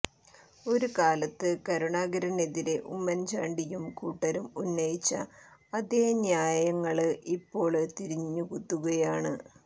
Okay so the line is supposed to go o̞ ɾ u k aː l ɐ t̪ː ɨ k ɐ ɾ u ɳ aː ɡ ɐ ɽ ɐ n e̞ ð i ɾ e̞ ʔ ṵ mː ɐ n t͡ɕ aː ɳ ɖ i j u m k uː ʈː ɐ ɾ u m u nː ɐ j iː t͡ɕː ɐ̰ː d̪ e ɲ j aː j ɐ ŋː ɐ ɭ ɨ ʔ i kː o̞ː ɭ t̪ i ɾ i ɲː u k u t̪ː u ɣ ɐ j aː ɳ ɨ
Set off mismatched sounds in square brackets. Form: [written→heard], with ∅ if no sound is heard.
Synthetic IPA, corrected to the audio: o̞ ɾ u k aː l ɐ t̪ː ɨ k ɐ ɾ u ɳ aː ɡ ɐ [ɽ→ɾ] ɐ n e̞ ð i ɾ e̞ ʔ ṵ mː ɐ n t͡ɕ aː ɳ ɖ i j u m k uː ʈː ɐ ɾ u m u nː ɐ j [iː→i] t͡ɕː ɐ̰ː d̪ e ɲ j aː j ɐ ŋː ɐ ɭ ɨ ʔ i [kː→pː] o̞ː ɭ t̪ i ɾ i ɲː u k u t̪ː u ɣ ɐ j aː ɳ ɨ